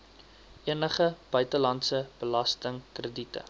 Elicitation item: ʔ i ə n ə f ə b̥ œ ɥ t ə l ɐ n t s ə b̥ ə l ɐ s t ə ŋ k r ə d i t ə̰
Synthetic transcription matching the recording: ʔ i ə n ə χ ə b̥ œ ɥ t ə l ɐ n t s ə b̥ ə l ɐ s t ə ŋ k r ə d i t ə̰